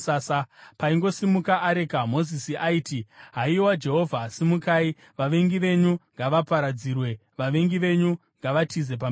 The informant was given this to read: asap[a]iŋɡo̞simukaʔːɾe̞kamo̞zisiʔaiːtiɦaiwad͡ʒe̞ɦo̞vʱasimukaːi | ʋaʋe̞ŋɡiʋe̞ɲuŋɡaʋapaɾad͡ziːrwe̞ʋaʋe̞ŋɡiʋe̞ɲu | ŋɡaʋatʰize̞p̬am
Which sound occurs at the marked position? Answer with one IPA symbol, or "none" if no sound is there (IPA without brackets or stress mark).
a